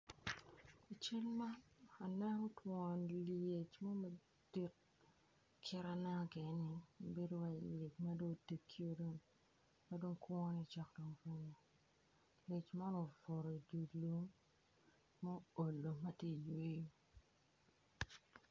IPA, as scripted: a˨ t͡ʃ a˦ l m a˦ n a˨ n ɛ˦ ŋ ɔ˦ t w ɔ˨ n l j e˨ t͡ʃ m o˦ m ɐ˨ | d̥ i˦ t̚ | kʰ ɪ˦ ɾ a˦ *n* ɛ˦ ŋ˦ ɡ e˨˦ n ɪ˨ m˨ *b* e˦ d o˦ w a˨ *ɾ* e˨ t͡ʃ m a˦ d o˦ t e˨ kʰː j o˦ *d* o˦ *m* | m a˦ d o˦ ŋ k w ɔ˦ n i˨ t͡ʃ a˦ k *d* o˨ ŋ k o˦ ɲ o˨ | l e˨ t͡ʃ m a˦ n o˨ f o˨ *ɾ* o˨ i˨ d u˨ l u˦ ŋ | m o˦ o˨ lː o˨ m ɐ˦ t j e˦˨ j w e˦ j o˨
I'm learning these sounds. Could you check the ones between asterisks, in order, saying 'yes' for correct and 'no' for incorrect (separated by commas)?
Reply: yes, yes, no, yes, no, yes, yes